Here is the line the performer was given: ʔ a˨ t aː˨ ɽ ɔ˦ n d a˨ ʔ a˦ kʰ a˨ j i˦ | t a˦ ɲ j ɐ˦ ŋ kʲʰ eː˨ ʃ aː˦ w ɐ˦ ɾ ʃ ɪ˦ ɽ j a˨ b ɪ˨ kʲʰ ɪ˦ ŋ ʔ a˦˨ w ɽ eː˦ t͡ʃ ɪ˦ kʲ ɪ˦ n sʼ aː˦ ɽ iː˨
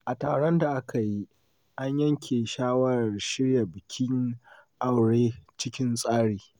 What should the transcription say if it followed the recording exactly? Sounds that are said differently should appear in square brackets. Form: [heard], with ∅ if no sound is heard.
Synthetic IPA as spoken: ʔ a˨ t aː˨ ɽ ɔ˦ n d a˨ ʔ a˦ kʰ a˨ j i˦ | [ʔ] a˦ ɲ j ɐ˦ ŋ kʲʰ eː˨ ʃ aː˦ w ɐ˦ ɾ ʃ ɪ˦ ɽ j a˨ b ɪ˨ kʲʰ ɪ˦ ŋ ʔ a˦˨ w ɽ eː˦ t͡ʃ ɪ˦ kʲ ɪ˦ n sʼ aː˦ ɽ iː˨